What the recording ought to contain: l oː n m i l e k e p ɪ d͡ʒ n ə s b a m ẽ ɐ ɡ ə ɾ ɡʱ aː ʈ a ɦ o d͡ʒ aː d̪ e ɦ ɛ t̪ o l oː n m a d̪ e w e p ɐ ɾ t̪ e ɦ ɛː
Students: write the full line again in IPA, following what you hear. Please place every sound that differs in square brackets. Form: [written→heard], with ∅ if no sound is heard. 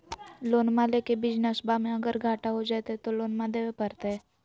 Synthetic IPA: l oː n m [i→a] l e k e [p→b] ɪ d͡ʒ n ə s b a m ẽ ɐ ɡ ə ɾ ɡʱ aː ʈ a ɦ o d͡ʒ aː [d̪→t̪] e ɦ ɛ t̪ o l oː n m a d̪ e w e p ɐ ɾ t̪ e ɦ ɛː